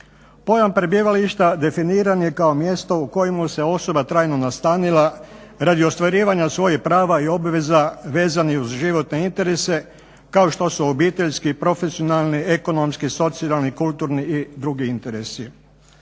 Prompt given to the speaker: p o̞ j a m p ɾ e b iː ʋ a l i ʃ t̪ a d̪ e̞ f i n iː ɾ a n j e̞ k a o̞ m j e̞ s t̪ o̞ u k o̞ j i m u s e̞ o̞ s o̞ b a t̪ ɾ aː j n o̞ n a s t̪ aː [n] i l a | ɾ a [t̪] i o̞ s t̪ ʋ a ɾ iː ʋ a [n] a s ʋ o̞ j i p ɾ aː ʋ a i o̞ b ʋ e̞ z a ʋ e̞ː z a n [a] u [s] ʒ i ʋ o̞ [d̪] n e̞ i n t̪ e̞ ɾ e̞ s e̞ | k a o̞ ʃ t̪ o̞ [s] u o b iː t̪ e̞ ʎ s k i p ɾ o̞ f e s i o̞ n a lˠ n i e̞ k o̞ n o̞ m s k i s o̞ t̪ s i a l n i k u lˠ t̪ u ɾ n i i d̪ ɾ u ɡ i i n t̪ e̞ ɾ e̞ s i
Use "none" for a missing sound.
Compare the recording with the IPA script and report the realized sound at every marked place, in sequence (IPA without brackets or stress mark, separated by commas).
n, d̪, ɲ, i, z, t̪, s